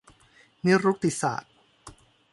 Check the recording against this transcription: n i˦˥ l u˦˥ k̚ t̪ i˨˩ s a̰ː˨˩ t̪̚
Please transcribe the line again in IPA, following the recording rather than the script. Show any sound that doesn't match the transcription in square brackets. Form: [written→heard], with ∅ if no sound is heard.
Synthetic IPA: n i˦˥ [l→ɾ] u˦˥ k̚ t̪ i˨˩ s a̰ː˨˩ t̪̚